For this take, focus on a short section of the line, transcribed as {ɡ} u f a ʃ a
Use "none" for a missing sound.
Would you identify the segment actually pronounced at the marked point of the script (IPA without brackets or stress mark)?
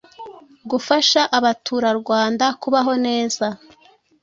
ɡ